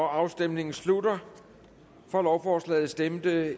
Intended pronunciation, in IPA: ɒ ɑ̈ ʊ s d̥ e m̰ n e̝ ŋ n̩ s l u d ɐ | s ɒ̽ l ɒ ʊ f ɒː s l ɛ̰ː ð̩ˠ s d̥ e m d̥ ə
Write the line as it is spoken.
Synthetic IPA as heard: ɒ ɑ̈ ʊ s d̥ e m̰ n e̝ ŋ n̩ s l u d ɐ | f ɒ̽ l ɒ ʊ f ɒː s l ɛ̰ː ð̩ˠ s d̥ e m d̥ ə